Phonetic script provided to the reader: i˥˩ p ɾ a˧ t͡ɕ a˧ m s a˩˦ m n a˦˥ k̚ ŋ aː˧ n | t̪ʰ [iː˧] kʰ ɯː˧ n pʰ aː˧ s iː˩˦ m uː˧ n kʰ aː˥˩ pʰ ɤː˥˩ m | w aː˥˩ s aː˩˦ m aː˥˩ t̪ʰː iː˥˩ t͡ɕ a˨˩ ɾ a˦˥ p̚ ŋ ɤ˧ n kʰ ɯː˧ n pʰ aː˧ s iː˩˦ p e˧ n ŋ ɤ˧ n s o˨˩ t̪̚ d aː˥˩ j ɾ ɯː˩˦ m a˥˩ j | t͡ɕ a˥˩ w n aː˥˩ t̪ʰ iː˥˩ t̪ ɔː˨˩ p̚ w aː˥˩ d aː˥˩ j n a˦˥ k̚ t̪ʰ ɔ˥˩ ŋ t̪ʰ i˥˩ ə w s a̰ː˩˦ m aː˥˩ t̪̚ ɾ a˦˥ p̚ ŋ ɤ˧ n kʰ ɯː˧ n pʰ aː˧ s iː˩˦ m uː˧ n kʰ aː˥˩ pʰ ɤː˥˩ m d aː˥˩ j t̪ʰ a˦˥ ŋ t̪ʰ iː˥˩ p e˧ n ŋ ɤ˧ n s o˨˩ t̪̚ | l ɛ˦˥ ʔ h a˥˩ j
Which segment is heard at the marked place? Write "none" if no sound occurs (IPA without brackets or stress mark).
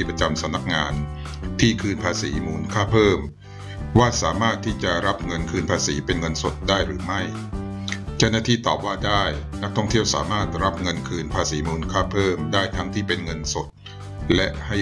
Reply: iː˥˩